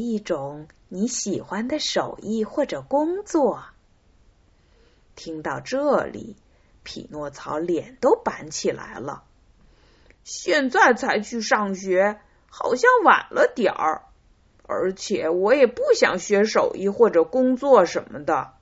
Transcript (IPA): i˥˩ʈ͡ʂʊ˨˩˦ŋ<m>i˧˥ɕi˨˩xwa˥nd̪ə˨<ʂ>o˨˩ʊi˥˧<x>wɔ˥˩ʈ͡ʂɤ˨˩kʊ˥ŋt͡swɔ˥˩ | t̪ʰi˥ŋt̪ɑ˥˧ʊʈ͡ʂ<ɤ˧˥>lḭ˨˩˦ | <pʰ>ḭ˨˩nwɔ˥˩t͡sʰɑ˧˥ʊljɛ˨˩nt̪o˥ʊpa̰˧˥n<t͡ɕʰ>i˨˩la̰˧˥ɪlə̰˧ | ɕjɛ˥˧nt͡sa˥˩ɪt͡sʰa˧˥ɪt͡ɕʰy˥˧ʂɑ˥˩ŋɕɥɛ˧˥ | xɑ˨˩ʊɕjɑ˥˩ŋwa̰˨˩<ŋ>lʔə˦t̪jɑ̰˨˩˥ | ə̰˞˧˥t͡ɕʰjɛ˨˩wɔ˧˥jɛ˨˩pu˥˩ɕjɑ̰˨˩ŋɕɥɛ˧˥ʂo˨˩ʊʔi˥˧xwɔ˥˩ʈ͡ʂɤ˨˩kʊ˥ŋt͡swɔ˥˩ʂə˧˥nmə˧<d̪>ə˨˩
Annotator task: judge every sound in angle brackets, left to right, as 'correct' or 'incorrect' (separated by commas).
incorrect, correct, correct, incorrect, correct, correct, incorrect, correct